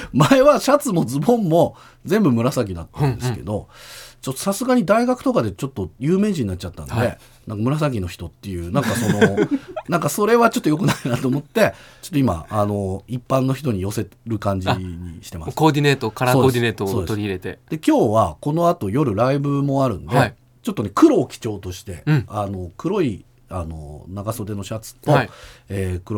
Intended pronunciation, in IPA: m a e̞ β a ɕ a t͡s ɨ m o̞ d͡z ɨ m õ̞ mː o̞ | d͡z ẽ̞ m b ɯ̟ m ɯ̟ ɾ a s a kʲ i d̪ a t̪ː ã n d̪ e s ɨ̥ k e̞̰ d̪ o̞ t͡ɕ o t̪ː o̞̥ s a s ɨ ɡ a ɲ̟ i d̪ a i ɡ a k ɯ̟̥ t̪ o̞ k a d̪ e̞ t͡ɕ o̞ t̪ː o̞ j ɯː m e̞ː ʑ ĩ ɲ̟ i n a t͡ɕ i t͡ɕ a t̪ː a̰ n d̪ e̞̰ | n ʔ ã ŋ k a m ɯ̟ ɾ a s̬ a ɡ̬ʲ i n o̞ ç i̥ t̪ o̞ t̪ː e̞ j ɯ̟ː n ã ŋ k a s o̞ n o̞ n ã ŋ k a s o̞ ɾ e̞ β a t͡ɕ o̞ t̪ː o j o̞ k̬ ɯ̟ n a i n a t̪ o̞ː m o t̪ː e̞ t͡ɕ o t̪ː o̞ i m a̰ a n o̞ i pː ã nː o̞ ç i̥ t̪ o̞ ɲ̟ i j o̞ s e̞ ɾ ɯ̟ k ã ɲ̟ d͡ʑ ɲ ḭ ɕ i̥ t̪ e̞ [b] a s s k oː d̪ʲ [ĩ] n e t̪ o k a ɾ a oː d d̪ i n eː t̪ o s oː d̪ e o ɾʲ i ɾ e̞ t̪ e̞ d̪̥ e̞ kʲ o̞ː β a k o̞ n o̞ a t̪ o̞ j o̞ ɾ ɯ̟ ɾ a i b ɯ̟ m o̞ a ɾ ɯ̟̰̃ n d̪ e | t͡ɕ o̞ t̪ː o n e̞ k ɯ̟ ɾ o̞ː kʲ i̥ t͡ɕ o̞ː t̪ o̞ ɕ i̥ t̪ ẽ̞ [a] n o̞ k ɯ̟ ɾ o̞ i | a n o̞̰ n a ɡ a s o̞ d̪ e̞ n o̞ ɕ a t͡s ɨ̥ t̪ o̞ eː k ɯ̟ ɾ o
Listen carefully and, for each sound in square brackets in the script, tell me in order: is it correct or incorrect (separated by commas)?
incorrect, incorrect, correct